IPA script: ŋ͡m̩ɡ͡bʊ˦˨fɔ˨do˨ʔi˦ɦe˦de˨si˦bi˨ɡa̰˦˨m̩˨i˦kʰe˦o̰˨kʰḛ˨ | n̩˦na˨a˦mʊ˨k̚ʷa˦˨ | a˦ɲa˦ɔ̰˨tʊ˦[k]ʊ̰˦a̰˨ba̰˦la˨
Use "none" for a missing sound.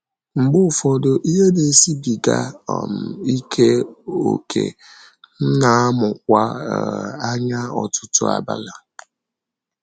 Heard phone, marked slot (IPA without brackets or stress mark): t